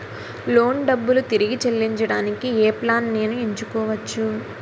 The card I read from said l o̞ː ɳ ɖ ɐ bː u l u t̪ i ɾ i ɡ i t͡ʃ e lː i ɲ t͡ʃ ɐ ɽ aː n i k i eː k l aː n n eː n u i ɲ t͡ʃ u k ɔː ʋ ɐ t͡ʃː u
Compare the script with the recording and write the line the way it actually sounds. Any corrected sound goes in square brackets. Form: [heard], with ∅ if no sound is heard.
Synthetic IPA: l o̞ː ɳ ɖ ɐ bː u l u t̪ i ɾ i ɡ i t͡ʃ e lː i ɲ t͡ʃ ɐ ɽ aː n i k i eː [p] l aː n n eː n u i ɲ t͡ʃ u k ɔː ʋ ɐ t͡ʃː u